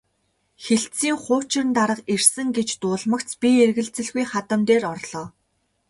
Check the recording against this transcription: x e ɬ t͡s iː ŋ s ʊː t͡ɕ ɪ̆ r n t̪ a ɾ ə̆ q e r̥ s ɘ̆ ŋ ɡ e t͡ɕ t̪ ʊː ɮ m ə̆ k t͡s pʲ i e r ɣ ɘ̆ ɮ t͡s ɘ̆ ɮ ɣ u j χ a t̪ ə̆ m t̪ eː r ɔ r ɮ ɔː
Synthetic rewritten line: x e ɬ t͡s iː ŋ χ ʊː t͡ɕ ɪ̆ r n t̪ a ɾ ə̆ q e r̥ s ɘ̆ ŋ ɡ e t͡ɕ t̪ ʊː ɮ m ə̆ k t͡s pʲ i e r ɣ ɘ̆ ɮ t͡s ɘ̆ ɮ ɣ u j χ a t̪ ə̆ m t̪ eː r ɔ r ɮ ɔː